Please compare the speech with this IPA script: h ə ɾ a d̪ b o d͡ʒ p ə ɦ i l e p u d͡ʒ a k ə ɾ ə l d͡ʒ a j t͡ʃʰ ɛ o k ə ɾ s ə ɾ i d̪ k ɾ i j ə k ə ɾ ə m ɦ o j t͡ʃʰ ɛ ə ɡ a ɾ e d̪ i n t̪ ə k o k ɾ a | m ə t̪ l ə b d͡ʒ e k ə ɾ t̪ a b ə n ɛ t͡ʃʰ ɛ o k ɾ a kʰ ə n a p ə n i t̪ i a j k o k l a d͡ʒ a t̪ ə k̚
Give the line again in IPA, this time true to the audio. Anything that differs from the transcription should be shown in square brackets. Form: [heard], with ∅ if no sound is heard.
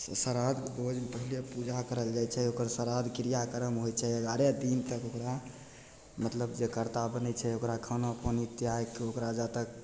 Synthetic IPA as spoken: [s] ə ɾ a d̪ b o d͡ʒ p ə ɦ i l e p u d͡ʒ a k ə ɾ ə l d͡ʒ a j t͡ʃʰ ɛ o k ə ɾ s ə ɾ [a] d̪ k ɾ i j [a] k ə ɾ ə m ɦ o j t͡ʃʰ ɛ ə ɡ a ɾ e d̪ i n t̪ ə k o k ɾ a | m ə t̪ l ə b d͡ʒ e k ə ɾ t̪ a b ə n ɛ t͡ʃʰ ɛ o k ɾ a kʰ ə n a p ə n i t̪ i a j k o k [ɾ] a d͡ʒ a t̪ ə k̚